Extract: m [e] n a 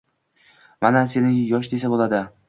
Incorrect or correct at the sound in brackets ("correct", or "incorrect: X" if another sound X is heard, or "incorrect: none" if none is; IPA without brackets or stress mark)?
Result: incorrect: a